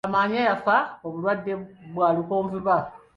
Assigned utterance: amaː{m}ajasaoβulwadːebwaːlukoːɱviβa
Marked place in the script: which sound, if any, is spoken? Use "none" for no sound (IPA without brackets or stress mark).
ɲ